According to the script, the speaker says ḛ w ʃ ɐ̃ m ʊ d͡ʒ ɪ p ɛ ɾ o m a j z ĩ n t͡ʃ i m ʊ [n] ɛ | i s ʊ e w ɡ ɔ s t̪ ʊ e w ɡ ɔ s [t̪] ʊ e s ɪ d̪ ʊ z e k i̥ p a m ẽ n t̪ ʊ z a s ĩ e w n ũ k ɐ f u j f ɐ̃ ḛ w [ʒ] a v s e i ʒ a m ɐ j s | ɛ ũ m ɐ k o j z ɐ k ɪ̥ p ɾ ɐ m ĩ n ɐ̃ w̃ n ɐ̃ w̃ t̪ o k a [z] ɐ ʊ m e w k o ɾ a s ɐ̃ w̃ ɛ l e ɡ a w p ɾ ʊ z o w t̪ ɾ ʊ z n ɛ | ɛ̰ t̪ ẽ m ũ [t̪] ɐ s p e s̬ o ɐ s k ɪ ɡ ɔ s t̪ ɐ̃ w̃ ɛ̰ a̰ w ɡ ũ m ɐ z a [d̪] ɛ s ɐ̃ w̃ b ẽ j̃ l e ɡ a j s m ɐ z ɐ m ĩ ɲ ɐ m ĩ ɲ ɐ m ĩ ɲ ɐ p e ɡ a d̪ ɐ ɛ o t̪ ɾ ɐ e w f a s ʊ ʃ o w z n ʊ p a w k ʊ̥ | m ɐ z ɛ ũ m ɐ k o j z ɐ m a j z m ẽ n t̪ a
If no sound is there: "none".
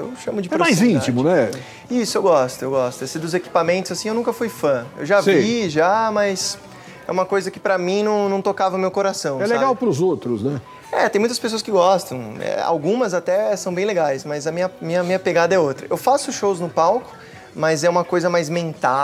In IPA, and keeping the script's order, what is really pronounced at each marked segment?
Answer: n, t̪, ʒ, v, t̪, t̪

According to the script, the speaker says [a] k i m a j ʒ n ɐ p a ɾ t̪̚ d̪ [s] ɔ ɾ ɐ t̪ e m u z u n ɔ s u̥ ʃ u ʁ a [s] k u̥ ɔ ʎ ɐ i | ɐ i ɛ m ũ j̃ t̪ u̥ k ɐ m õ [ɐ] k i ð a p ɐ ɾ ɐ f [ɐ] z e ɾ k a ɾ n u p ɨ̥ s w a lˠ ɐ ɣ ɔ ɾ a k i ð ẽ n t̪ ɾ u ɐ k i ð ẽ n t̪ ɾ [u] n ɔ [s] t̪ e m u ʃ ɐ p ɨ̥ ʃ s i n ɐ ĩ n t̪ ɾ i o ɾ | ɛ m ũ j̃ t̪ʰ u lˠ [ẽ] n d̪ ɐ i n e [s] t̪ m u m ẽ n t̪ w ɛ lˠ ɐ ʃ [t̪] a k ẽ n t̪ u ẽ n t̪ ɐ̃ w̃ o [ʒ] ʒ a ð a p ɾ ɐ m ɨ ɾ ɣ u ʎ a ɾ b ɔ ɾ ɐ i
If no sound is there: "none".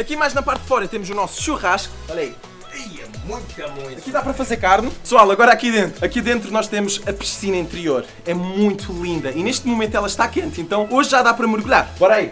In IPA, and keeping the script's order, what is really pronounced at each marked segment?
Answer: ɐ, f, ʃ, ɐ, ɐ, u, ʃ, ĩ, ʃ, t̪, ʒ

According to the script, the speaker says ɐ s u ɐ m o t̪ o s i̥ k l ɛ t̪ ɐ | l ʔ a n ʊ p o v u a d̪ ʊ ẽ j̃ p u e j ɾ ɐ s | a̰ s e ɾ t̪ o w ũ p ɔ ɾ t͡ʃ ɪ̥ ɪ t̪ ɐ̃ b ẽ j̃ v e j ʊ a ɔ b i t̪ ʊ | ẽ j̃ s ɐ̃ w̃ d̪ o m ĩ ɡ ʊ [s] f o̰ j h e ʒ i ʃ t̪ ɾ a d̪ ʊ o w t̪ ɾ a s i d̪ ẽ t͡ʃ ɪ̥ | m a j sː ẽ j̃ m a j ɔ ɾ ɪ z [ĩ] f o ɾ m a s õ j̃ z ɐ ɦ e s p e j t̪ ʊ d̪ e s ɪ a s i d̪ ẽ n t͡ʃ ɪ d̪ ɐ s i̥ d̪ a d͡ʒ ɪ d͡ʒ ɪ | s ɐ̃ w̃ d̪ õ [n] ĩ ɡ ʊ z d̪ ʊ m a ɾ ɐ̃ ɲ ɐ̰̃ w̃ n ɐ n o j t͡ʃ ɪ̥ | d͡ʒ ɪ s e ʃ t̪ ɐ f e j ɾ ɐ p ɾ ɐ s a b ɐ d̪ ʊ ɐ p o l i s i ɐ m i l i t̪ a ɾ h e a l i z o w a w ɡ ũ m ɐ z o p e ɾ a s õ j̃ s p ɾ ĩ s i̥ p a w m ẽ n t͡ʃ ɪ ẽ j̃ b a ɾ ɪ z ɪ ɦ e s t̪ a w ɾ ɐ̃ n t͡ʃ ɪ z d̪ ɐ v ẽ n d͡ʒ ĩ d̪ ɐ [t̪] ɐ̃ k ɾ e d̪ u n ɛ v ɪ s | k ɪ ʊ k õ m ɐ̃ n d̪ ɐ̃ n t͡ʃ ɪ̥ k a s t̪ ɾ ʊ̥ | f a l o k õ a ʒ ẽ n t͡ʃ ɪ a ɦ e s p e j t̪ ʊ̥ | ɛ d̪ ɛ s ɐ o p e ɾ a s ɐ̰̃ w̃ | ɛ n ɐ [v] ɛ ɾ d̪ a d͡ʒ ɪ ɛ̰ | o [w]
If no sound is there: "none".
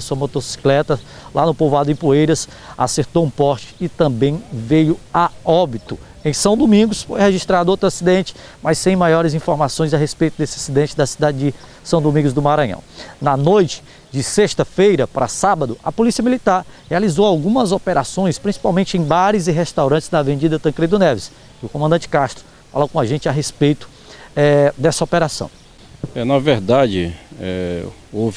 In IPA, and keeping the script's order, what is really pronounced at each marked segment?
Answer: s, ĩ, m, t̪, v, v

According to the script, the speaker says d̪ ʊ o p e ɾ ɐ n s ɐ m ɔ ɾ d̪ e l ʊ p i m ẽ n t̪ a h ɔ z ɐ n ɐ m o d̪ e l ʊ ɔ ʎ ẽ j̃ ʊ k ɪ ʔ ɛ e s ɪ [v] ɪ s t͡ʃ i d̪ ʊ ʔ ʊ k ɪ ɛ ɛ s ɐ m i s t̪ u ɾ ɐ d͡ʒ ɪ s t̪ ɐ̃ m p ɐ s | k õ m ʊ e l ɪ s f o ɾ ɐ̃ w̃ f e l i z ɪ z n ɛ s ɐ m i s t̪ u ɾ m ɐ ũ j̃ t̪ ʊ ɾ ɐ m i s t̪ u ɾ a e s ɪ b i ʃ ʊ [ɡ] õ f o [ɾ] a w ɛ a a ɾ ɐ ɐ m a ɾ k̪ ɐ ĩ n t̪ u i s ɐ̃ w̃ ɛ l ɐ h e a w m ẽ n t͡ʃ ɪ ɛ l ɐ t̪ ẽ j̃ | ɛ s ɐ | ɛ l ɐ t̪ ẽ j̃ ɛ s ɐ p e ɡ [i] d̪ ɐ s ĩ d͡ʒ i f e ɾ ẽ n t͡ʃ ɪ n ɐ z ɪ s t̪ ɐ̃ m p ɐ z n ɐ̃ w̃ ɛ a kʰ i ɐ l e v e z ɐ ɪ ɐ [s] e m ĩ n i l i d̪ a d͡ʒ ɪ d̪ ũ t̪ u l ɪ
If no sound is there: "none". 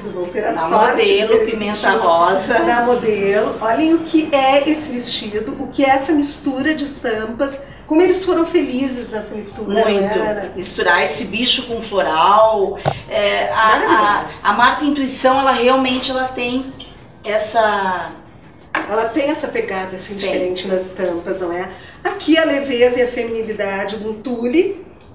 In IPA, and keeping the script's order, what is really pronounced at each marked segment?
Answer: v, k, ɾ, a, f

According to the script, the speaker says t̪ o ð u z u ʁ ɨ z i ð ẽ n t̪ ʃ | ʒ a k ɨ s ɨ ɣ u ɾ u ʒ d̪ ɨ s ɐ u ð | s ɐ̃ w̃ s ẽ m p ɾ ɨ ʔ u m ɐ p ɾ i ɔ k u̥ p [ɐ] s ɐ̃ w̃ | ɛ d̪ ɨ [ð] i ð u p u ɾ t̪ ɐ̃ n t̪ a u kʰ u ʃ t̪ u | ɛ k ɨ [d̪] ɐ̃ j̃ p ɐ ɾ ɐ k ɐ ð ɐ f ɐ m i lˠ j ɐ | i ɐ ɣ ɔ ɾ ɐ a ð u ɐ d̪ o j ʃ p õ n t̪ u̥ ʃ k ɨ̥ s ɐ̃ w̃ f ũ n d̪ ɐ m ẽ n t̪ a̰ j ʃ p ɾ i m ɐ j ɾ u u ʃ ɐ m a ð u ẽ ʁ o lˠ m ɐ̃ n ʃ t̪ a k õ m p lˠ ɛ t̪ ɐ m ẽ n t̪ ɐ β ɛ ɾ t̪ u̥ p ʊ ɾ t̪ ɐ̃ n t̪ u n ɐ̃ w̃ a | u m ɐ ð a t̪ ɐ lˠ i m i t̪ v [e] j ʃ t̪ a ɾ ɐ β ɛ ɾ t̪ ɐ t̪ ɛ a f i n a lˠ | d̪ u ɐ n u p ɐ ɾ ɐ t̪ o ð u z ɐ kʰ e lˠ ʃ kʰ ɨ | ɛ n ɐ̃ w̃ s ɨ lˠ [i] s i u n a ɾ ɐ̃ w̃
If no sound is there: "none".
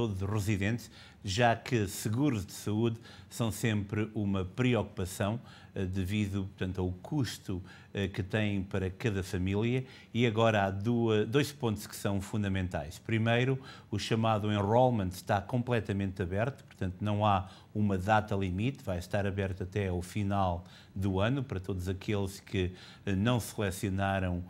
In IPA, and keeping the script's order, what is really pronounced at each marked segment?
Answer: ɐ, v, t̪, a, ɛ

